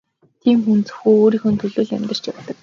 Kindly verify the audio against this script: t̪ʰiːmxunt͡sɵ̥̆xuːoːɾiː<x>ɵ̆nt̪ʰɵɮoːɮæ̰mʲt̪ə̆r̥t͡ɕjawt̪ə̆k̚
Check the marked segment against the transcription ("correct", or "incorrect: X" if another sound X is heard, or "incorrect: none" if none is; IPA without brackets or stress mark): correct